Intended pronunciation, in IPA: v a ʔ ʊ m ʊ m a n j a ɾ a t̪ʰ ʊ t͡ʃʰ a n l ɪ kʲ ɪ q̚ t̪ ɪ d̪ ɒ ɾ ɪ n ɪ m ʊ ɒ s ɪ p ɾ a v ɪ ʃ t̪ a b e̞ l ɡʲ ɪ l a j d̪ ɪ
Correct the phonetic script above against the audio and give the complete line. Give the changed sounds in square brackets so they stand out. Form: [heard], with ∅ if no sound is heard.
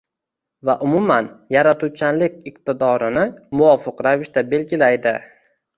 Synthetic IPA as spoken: v a ʔ ʊ m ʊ m a n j a ɾ a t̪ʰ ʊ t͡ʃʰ a n l ɪ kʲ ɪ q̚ t̪ ɪ d̪ ɒ ɾ ɪ n ɪ m ʊ ɒ [f] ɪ [q] ɾ a v ɪ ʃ t̪ a b e̞ l ɡʲ ɪ l a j d̪ ɪ